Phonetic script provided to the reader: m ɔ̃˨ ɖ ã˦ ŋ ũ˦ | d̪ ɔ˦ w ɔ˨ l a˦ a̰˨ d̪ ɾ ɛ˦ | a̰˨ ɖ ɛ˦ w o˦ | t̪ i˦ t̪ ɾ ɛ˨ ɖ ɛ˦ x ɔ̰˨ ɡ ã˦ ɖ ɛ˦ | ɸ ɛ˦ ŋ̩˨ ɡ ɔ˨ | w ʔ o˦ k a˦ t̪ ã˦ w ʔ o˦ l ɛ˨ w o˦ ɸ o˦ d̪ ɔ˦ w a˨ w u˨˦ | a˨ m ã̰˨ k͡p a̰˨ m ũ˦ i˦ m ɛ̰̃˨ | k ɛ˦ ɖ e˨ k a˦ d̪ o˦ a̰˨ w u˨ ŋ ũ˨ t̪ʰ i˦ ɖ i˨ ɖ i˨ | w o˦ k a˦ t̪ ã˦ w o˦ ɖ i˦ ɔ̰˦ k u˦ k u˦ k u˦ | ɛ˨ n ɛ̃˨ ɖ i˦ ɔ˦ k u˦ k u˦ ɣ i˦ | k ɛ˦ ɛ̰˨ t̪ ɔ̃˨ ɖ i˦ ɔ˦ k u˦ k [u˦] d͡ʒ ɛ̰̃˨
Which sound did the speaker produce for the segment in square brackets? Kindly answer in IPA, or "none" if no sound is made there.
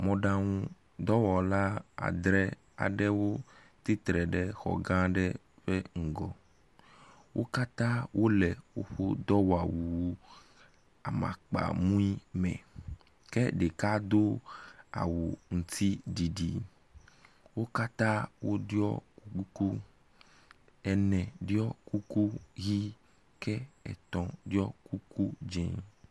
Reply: u˦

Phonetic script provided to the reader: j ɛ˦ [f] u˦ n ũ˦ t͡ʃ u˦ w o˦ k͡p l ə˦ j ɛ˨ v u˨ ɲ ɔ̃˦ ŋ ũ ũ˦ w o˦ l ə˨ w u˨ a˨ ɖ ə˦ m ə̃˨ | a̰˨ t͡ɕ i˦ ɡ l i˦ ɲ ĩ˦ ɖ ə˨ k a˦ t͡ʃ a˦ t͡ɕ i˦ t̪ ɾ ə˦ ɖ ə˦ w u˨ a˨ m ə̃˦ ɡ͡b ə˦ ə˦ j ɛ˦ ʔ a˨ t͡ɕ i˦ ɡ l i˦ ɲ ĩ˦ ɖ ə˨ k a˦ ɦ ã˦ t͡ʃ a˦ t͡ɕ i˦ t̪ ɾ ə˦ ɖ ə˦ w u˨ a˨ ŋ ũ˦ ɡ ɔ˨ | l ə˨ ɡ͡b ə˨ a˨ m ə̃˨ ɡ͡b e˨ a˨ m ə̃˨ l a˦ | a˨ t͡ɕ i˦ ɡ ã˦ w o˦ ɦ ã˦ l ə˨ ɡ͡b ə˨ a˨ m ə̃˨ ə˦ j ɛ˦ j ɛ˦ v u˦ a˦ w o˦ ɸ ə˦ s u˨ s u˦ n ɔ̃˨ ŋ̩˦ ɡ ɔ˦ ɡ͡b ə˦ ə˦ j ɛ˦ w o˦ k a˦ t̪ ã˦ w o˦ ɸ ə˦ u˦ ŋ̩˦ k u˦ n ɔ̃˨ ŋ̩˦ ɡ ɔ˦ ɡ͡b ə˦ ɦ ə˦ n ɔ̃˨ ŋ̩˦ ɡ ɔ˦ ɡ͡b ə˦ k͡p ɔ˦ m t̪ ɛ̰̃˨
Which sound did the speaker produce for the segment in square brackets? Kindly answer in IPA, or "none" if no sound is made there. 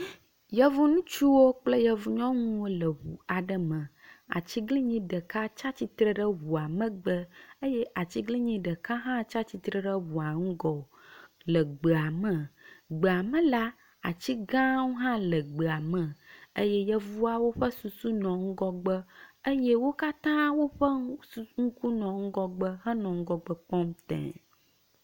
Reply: v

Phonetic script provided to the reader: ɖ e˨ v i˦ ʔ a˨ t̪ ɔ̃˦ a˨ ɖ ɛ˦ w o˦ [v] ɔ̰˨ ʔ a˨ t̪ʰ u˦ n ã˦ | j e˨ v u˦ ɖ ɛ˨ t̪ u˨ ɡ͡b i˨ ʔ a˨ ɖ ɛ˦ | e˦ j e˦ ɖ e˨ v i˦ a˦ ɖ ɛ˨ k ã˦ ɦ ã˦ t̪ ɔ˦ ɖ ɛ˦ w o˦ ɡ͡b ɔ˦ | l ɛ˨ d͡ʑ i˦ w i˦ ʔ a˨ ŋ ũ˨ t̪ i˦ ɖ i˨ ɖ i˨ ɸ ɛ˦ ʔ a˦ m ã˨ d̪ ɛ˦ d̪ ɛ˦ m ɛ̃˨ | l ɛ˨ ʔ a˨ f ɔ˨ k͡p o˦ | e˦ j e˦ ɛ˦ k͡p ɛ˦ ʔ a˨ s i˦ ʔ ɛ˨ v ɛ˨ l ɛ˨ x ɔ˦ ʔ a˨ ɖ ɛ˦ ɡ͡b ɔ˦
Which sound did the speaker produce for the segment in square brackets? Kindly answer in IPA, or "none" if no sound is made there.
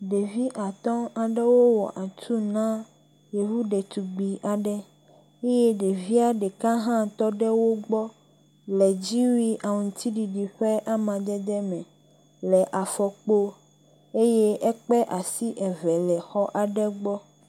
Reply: w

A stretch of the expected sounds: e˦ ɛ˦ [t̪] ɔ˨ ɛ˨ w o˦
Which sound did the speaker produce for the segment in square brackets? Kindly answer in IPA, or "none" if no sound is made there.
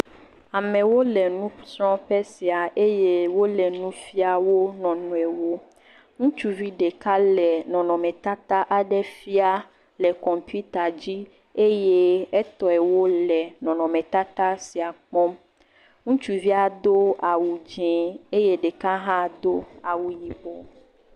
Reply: t̪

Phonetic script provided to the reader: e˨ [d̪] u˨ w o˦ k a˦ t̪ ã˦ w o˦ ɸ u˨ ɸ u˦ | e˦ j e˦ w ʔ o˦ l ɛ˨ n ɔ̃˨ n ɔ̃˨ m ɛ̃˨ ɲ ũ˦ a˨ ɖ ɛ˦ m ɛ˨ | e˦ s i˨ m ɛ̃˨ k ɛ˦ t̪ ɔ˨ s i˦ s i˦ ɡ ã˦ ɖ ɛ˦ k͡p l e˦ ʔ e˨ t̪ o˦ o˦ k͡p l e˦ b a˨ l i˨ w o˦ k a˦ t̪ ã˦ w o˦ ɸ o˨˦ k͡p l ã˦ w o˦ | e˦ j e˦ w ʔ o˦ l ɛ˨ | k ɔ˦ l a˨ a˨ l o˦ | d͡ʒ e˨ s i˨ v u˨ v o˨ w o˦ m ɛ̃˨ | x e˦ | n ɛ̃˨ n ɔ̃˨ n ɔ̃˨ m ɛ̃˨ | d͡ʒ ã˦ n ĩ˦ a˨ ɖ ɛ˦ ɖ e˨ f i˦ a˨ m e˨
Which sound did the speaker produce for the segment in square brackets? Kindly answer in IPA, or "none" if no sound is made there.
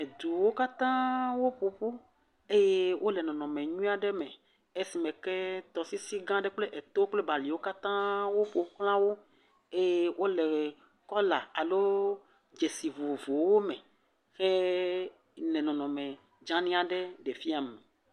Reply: d̪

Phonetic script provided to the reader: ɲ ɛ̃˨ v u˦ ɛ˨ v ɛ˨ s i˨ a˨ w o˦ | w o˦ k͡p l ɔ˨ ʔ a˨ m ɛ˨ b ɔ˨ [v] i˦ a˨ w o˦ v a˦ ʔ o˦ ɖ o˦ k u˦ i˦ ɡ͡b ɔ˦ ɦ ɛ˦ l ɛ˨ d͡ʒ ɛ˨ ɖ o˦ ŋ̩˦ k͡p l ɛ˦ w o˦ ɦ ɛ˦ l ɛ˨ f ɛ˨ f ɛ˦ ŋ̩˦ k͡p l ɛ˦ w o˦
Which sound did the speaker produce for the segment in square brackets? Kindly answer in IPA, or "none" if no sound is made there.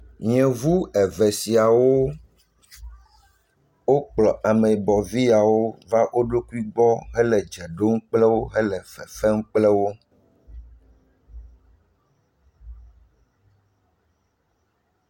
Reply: v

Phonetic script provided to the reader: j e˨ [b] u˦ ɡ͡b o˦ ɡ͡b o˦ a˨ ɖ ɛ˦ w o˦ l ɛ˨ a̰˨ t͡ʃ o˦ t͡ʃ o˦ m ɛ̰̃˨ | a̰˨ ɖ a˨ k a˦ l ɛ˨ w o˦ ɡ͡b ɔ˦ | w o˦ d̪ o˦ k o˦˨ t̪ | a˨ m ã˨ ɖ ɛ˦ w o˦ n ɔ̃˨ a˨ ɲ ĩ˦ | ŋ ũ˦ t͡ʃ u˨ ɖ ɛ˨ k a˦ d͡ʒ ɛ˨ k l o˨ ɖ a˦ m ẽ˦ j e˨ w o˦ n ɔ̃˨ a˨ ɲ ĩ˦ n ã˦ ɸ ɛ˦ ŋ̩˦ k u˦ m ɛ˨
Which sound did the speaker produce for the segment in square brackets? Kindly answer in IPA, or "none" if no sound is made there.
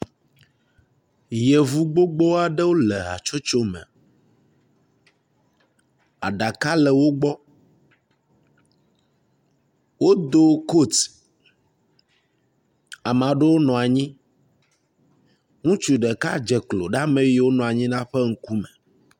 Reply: v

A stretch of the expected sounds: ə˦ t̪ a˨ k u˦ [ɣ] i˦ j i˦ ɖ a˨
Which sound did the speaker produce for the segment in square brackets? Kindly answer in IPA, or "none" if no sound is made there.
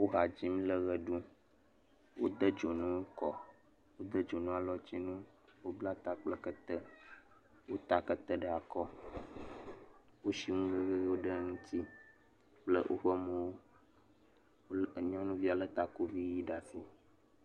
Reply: v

